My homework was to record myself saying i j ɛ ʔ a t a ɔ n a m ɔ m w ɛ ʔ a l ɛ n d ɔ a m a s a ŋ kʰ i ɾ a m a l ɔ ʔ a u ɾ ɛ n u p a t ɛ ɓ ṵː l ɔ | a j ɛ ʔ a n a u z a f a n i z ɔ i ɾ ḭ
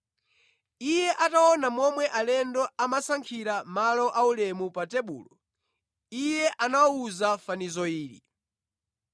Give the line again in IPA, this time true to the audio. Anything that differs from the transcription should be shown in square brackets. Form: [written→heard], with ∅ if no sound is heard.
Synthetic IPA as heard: i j ɛ ʔ a t a ɔ n a m ɔ m w ɛ ʔ a l ɛ n d ɔ a m a s a ŋ kʰ i ɾ a m a l ɔ ʔ a u [ɾ→l] ɛ [n→m] u p a t ɛ ɓ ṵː l ɔ | [a→i] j ɛ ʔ a n a u z a f a n i z ɔ [i→iː] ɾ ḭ